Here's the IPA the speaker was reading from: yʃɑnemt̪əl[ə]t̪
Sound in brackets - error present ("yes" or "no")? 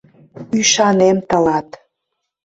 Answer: yes